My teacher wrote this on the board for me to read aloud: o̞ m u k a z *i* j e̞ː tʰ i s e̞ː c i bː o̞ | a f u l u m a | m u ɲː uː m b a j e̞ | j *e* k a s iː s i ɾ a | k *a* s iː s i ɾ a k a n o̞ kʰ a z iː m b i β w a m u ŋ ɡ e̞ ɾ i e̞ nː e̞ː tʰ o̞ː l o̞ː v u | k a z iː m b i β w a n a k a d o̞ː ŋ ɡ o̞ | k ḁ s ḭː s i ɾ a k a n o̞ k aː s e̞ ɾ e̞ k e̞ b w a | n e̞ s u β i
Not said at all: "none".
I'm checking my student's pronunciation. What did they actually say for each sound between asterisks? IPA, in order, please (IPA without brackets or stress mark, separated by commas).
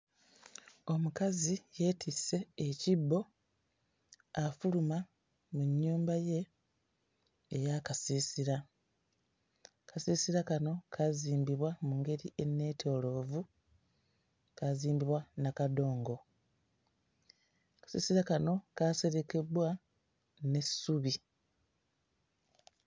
i, a, a